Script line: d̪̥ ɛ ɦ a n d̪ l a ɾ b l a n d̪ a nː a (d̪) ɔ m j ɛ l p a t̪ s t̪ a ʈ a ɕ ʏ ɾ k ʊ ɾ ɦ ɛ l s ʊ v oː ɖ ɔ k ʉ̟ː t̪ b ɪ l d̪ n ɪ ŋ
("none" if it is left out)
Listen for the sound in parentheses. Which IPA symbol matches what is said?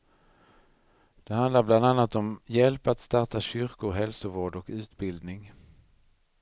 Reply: t̪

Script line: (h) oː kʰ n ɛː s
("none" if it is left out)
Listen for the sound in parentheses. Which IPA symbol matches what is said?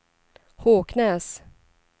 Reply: h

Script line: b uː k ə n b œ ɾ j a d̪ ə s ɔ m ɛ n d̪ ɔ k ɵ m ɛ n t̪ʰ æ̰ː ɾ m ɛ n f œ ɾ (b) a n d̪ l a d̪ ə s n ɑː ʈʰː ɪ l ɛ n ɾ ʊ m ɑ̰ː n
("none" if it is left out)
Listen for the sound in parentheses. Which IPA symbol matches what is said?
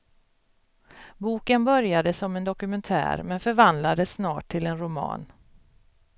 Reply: v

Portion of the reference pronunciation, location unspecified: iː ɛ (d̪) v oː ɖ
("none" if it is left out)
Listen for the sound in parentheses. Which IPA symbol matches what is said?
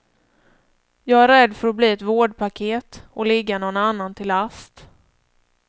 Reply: t̪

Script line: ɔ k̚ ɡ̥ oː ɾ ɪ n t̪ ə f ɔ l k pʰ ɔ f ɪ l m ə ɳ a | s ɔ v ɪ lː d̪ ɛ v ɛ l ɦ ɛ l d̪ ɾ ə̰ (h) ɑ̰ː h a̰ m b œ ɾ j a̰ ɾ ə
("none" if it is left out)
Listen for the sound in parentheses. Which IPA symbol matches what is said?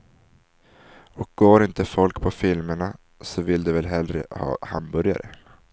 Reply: h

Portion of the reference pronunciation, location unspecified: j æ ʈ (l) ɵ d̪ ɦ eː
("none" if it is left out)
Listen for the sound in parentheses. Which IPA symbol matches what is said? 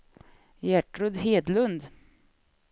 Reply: ɾ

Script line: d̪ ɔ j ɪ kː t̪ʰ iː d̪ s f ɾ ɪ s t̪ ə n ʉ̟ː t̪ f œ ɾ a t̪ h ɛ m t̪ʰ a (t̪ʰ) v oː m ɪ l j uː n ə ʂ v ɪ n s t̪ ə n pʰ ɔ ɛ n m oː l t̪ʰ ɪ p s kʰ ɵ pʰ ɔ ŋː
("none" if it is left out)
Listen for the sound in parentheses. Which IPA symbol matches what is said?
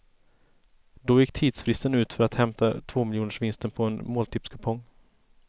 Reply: t̪ʰ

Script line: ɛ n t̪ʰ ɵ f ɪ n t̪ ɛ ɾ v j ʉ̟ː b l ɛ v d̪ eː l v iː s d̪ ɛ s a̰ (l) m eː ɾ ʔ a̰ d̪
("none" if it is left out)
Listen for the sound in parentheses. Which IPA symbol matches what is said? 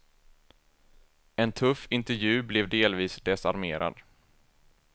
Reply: ɾ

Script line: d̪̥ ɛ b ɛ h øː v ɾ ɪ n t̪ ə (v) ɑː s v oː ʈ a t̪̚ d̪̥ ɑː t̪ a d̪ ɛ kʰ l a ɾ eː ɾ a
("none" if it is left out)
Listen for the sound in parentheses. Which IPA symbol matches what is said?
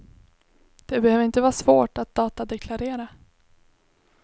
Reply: v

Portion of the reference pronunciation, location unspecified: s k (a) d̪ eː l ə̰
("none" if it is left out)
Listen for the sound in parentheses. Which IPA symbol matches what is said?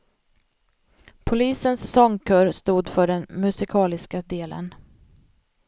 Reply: a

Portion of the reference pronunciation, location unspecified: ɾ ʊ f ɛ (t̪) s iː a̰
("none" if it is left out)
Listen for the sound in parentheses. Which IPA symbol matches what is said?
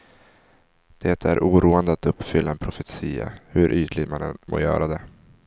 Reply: t̪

